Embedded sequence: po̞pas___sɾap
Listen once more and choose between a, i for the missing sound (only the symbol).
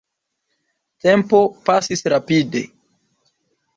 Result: i